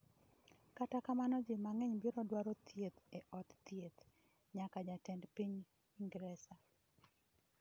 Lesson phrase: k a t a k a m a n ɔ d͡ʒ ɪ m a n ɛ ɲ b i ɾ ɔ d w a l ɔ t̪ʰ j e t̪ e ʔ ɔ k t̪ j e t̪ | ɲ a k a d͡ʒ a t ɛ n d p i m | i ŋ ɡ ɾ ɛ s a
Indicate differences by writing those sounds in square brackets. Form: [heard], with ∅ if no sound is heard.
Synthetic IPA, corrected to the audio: k a t a k a m a n ɔ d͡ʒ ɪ m a [ŋ] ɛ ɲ b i ɾ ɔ d w a [ɾ] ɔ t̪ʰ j e t̪ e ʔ ɔ [t] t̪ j e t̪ | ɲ a k a d͡ʒ a t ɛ n d p i [ɲ] | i ŋ ɡ ɾ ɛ s a

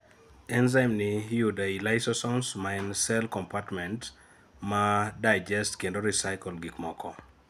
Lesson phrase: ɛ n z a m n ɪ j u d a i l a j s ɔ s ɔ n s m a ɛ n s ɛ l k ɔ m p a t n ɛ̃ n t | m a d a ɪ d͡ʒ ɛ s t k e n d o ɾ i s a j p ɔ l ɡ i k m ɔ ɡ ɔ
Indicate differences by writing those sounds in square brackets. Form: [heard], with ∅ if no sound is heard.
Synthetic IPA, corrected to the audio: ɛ n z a m n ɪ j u d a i l a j s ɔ s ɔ n s m a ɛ n s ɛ l k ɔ m p a t [m] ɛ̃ n t | m a d a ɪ d͡ʒ ɛ s t k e n d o ɾ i s a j [k] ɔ l ɡ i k m ɔ [k] ɔ

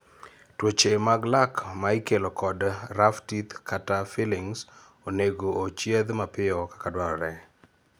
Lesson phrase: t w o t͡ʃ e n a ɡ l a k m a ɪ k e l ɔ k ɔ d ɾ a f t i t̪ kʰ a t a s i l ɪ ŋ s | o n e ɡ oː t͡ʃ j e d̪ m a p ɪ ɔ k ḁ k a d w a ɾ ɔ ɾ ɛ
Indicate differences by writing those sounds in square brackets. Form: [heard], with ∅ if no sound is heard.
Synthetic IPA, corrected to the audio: t w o t͡ʃ e [m] a ɡ l a k m a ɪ k e l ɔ k ɔ d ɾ a f t i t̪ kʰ a t a [f] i l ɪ ŋ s | o n e ɡ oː t͡ʃ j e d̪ m a p ɪ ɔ k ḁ k a d w a ɾ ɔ ɾ ɛ

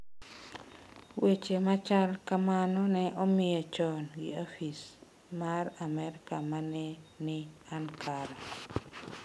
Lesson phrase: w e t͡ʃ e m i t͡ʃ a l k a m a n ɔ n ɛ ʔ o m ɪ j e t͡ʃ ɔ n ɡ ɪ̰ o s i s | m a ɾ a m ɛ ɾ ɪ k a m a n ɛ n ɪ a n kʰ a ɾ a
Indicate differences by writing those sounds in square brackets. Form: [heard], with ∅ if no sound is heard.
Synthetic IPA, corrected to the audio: w e t͡ʃ e m [a] t͡ʃ a l k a m a n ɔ n ɛ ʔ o m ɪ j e t͡ʃ ɔ n ɡ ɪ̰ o [f] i s | m a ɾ a m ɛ ɾ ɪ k a m a n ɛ n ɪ a n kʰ a ɾ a

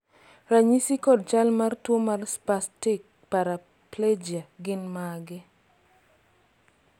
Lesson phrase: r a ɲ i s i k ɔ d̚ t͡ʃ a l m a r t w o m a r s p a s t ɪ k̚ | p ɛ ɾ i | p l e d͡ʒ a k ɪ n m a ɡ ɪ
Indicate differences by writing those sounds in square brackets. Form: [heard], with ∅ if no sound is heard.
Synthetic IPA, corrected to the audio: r a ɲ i s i k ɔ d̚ t͡ʃ a l m a r t w o m a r s p a s t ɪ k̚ | p [a] ɾ [a] | p l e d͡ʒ a [ɡ] ɪ n m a ɡ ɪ

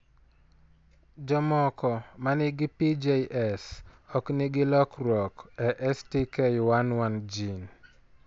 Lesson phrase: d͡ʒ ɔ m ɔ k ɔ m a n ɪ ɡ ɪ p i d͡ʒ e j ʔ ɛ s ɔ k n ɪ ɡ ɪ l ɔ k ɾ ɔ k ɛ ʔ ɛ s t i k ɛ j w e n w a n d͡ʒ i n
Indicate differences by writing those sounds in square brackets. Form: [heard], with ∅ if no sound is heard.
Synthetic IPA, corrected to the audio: d͡ʒ ɔ m ɔ k ɔ m a n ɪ ɡ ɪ p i d͡ʒ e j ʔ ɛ s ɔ k n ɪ ɡ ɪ l ɔ k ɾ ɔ k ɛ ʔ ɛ s t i k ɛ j w [a] n w a n d͡ʒ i n

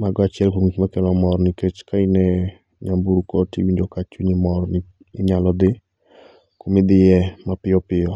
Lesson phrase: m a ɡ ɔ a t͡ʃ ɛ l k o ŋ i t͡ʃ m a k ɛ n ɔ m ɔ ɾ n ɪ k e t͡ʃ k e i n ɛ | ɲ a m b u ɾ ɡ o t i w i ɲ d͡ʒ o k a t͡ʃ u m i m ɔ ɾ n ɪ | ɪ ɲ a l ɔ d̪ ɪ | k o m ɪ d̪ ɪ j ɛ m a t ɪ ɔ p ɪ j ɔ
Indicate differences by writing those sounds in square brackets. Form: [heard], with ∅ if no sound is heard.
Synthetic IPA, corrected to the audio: m a ɡ ɔ a t͡ʃ ɛ l k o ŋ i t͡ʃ m a k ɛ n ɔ m ɔ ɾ n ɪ k e t͡ʃ k [a] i n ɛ | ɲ a m b u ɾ [k] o t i w i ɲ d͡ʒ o k a t͡ʃ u [ɲ] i m ɔ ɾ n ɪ | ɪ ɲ a l ɔ d̪ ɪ | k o m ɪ d̪ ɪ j ɛ m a [p] ɪ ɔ p ɪ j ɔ

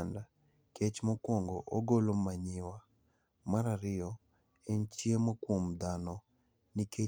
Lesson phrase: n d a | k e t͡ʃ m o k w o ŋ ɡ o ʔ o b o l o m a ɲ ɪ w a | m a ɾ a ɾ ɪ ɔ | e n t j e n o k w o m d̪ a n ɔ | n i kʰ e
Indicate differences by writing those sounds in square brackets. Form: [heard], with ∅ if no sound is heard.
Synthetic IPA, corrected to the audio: n d a | k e t͡ʃ m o k w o ŋ ɡ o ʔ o [ɡ] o l o m a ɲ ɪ w a | m a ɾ a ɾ ɪ ɔ | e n [t͡ʃ] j e [m] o k w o m d̪ a n ɔ | n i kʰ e

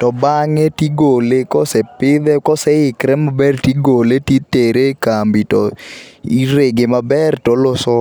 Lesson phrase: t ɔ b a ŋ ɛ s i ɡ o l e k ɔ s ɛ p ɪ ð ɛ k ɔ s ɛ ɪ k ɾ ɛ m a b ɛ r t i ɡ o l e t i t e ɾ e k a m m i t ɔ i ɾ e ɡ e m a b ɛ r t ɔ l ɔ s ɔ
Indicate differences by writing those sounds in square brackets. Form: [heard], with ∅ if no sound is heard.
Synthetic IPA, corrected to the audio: t ɔ b a ŋ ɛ [t] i ɡ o l e k ɔ s ɛ p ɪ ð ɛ k ɔ s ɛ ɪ k ɾ ɛ m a b ɛ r t i ɡ o l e t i t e ɾ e k a m [b] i t ɔ i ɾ e ɡ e m a b ɛ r t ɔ l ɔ s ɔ

